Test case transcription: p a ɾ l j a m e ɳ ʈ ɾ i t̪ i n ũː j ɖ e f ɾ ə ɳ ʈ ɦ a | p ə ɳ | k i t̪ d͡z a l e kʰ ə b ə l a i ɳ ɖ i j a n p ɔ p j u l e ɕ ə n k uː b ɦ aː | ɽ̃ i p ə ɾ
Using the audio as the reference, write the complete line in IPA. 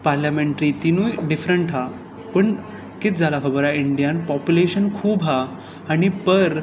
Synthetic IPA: p a ɾ l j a m e ɳ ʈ ɾ i t̪ i n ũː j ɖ i f ɾ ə ɳ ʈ ɦ a | p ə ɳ | k i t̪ d͡z a l a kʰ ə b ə ɾ a i ɳ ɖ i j a n p ɔ p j u l e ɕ ə n kʰ uː b ɦ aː | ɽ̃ i p ə ɾ